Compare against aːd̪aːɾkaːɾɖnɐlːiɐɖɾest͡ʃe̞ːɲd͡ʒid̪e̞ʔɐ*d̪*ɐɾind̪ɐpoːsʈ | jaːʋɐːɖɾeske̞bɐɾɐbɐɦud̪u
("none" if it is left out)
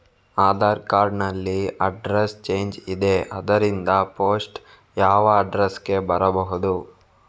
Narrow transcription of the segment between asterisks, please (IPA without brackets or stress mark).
d̪